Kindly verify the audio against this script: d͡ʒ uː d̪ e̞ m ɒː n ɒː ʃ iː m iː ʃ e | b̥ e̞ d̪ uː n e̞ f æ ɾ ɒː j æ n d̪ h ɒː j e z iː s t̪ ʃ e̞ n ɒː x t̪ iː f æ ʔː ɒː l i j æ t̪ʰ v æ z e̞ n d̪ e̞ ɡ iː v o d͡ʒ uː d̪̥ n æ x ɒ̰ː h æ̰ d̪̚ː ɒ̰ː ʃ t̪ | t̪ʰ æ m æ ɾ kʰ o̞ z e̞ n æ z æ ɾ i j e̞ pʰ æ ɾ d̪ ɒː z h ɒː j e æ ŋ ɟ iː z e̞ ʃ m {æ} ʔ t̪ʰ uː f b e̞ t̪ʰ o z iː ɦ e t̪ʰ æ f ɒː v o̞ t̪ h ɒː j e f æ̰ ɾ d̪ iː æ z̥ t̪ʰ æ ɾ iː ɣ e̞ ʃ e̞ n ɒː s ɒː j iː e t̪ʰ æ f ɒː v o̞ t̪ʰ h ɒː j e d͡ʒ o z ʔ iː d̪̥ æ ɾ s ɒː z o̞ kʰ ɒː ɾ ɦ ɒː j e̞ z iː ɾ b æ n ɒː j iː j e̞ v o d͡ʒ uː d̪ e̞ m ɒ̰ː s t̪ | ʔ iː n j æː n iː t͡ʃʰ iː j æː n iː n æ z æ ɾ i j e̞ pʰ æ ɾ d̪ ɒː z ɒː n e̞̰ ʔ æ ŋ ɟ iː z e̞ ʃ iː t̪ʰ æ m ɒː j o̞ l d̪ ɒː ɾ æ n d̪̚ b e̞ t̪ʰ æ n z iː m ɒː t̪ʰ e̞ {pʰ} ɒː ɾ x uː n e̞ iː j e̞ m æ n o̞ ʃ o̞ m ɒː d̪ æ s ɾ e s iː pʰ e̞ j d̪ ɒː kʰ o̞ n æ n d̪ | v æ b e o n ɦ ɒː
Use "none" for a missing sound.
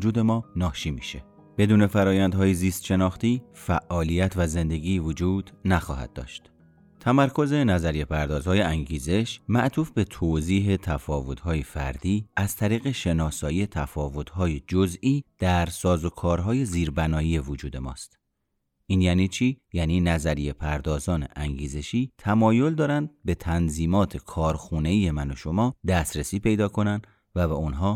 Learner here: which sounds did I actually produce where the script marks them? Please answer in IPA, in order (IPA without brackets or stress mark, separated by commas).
æ, kʰ